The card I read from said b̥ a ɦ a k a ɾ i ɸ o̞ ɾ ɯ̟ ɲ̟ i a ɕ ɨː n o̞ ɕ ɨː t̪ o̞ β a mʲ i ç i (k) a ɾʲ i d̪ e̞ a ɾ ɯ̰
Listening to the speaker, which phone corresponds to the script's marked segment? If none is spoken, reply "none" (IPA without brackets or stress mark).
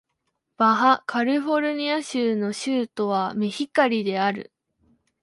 k